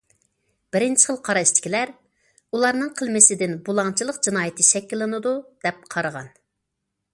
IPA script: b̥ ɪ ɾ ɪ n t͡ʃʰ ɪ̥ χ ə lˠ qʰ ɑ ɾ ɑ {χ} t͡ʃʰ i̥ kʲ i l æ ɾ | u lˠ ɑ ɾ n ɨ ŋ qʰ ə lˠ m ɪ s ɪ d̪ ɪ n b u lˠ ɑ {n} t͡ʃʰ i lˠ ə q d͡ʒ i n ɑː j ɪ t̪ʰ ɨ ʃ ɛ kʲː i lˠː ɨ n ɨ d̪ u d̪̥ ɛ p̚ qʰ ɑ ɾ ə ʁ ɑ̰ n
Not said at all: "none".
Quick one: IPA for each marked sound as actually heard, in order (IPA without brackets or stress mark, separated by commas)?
ʃ, ŋ